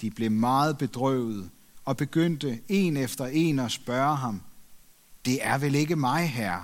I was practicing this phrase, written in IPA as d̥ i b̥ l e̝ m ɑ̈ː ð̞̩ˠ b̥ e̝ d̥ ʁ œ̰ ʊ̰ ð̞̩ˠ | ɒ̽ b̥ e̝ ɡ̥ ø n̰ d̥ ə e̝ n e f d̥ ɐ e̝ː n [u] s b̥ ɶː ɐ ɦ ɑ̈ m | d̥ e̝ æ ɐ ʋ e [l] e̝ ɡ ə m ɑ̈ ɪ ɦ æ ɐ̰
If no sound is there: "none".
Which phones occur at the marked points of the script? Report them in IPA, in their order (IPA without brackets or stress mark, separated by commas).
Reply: ɒ, l